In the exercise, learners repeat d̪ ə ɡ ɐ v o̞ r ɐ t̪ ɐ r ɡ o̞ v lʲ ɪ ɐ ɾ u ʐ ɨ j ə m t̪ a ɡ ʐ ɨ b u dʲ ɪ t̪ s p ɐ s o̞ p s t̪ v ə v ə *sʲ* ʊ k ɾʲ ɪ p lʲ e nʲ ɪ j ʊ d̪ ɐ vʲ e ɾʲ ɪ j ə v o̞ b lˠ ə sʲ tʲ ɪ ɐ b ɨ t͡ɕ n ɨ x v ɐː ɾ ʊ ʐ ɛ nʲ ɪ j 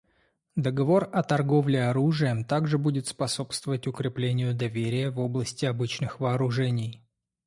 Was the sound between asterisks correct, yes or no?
no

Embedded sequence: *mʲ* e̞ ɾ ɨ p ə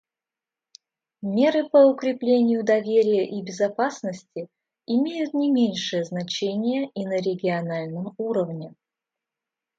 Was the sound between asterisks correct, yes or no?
yes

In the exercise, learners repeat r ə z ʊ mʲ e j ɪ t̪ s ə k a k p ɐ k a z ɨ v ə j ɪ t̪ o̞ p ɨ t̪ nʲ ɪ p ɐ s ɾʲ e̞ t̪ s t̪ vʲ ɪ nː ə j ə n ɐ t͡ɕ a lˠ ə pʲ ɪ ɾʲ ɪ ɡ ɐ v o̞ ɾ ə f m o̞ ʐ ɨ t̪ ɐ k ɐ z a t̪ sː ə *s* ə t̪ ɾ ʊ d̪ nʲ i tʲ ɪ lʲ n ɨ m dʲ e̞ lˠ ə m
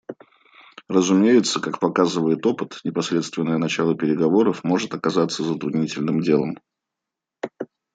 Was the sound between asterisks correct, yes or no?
no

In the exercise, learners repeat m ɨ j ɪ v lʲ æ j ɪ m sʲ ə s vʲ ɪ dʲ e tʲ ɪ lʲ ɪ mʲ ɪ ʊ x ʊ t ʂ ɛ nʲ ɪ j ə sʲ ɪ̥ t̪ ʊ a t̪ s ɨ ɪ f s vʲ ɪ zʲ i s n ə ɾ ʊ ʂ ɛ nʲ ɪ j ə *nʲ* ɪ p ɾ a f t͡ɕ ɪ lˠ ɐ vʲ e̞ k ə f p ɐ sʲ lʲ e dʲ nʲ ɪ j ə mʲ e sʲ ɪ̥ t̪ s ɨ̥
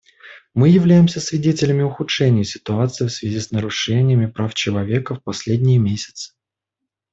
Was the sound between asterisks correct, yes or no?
no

